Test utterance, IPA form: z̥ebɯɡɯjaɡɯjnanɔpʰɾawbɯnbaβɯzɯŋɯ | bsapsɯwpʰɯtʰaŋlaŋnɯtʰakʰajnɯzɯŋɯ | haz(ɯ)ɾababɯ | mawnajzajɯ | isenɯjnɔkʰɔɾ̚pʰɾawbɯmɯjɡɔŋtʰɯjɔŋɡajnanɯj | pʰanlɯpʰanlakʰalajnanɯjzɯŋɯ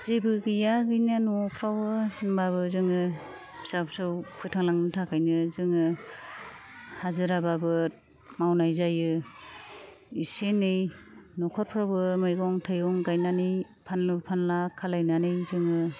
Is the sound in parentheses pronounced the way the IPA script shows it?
yes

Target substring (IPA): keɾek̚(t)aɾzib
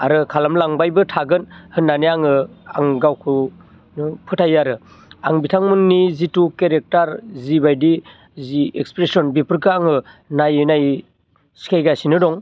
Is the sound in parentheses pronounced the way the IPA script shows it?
yes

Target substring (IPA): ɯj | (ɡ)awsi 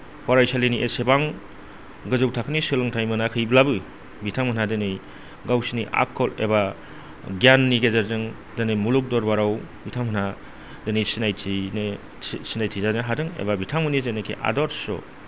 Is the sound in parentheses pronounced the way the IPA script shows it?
yes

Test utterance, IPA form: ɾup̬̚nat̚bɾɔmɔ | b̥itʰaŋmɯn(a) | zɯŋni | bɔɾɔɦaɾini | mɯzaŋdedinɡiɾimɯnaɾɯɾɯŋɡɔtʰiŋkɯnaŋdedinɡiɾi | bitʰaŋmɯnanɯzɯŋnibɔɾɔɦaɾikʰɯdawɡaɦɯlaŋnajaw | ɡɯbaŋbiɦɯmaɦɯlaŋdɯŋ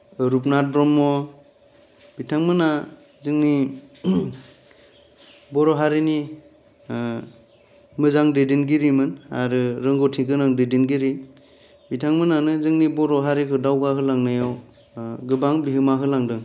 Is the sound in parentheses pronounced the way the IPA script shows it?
yes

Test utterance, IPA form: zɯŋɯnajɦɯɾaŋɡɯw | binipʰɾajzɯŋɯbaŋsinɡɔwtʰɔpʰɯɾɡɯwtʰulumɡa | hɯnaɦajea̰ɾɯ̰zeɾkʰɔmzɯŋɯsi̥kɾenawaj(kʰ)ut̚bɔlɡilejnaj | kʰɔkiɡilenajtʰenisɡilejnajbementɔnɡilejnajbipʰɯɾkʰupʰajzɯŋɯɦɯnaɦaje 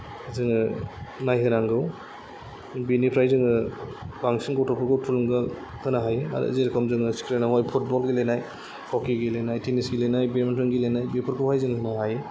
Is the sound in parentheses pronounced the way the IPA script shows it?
no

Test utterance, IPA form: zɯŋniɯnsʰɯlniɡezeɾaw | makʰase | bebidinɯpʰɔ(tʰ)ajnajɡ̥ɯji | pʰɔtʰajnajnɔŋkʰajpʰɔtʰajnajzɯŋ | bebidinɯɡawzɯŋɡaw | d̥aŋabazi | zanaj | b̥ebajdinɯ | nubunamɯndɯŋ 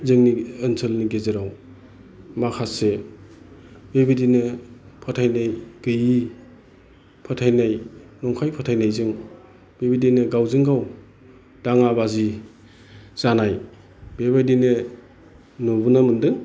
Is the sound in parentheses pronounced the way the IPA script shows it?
yes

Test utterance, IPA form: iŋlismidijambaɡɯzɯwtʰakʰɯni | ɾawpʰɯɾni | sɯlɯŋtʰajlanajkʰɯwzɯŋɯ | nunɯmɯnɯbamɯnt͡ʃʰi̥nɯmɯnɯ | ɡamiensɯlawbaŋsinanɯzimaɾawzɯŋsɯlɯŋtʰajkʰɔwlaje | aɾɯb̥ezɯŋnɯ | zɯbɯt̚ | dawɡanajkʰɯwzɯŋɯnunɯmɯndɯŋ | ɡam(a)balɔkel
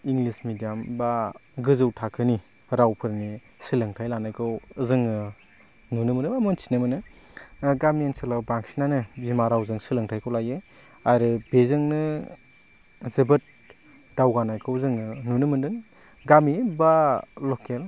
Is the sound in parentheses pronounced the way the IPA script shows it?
no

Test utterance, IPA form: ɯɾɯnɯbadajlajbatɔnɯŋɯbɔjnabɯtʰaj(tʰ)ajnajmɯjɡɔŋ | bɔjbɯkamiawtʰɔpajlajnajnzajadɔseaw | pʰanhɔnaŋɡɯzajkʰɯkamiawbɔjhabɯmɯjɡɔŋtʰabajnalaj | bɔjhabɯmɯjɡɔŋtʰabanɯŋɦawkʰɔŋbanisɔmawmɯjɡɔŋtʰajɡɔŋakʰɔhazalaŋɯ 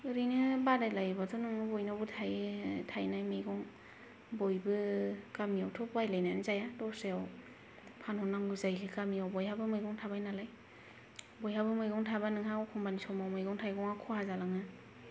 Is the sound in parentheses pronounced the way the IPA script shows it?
yes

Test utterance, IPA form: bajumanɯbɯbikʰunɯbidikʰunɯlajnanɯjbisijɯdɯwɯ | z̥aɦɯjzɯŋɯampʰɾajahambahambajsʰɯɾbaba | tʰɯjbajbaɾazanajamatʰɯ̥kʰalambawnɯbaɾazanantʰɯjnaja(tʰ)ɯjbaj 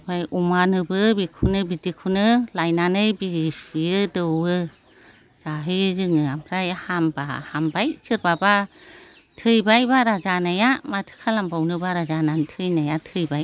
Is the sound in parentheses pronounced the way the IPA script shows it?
yes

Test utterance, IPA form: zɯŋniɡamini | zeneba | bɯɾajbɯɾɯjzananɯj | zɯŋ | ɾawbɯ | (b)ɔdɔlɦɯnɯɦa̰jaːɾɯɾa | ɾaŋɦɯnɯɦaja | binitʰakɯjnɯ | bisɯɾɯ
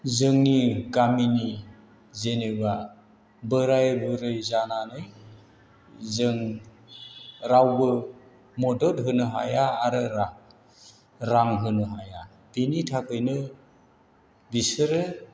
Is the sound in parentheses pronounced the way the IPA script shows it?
no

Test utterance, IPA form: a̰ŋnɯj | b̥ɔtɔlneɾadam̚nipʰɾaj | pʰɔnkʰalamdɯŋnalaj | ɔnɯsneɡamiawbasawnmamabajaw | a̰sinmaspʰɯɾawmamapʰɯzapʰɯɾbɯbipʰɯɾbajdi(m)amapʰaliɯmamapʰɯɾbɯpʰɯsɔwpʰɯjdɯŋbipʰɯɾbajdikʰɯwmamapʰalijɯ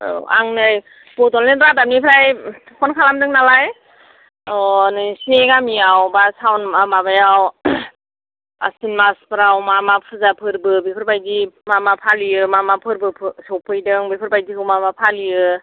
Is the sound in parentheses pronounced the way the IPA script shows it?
yes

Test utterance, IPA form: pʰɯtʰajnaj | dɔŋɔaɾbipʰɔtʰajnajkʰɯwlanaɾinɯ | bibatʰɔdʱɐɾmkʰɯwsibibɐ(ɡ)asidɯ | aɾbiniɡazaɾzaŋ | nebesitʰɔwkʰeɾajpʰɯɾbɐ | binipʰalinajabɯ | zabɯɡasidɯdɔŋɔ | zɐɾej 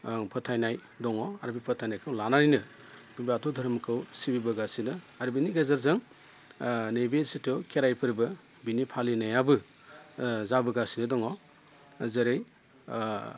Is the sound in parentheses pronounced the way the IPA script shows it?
yes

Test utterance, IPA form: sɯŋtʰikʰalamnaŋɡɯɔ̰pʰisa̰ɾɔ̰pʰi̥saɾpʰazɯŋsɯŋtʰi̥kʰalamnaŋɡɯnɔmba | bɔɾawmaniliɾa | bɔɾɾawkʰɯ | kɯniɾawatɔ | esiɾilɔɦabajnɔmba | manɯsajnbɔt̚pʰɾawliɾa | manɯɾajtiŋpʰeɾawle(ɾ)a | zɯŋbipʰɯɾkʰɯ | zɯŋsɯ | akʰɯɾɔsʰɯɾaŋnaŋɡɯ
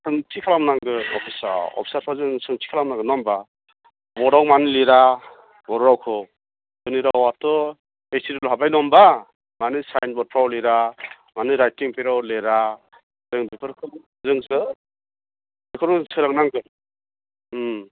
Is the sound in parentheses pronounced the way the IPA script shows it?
yes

